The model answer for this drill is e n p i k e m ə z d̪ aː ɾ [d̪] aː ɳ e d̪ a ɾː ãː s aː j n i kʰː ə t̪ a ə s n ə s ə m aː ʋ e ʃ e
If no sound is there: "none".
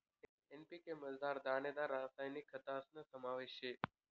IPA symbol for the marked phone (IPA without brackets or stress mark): d̪